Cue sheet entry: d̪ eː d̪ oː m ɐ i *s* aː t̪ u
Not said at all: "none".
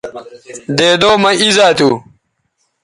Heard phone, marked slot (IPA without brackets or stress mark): z